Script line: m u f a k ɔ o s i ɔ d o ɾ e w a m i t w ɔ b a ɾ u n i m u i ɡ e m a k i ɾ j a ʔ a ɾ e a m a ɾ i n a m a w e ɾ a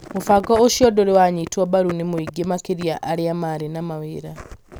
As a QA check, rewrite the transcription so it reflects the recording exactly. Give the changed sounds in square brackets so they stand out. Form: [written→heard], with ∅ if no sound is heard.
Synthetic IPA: m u f a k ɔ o [s→ʃ] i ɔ d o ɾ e w a [m→ɲ] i t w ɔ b a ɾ u n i m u i ɡ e m a k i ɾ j a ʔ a ɾ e a m a ɾ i n a m a w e ɾ a